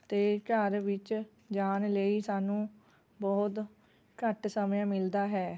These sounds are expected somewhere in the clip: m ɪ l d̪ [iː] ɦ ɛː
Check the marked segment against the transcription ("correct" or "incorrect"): incorrect